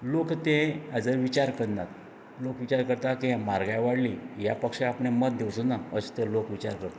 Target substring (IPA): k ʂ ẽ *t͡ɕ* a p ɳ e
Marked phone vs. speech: incorrect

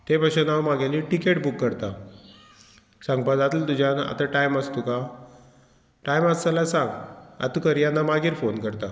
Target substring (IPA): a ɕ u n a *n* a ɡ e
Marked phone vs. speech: incorrect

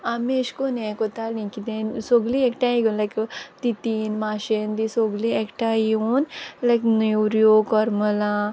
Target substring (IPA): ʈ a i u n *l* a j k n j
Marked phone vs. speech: correct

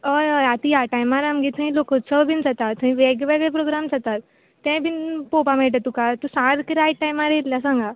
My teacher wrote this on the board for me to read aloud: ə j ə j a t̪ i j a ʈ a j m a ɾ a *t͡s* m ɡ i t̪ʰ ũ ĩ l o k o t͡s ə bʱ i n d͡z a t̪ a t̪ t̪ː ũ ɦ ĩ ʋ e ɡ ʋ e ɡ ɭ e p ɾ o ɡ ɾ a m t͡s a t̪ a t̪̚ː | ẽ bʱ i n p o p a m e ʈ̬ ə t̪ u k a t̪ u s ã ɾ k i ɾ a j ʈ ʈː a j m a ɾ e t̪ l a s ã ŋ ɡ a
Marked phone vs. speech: incorrect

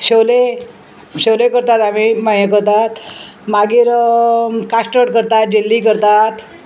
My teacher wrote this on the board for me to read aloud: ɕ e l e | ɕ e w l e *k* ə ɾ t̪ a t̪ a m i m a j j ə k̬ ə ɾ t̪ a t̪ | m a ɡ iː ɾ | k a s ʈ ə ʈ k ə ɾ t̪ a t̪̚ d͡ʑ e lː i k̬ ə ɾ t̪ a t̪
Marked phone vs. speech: correct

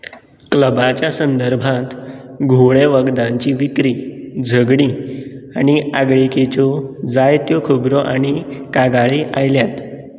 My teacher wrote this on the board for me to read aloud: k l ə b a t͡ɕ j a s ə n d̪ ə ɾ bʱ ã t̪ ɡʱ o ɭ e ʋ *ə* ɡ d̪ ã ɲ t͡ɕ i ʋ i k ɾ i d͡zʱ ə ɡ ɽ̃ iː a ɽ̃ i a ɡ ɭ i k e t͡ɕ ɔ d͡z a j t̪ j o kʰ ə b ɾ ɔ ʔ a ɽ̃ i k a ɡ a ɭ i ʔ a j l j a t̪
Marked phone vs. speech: correct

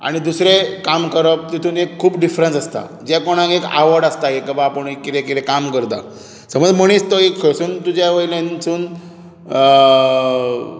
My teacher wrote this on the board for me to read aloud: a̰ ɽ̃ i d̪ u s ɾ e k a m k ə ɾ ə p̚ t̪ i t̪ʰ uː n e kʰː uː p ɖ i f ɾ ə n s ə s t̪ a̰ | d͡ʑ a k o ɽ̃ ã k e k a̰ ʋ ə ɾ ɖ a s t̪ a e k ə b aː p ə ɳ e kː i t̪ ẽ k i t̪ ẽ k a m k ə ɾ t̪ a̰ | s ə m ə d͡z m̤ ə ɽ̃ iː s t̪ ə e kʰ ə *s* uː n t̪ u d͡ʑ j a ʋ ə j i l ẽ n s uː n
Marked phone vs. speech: correct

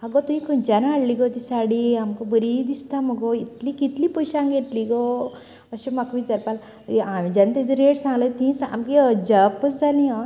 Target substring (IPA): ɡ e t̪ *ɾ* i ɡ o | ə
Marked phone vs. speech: incorrect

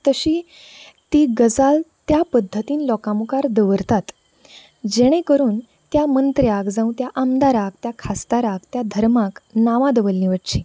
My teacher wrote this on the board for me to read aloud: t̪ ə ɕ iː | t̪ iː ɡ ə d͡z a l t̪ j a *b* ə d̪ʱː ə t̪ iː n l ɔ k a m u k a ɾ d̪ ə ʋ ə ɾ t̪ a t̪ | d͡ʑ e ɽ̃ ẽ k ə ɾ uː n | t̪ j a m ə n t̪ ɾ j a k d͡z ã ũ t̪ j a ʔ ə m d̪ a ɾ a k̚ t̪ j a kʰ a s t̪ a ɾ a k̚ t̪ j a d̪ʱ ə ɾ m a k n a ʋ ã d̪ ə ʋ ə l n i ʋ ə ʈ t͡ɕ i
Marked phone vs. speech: incorrect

